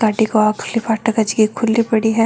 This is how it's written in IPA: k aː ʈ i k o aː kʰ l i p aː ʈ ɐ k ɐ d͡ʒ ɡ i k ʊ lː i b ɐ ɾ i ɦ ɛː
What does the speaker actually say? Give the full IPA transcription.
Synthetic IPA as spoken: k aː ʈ i k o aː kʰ l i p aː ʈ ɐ k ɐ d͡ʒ ɡ i kʰ ʊ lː i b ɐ ɽ i ɦ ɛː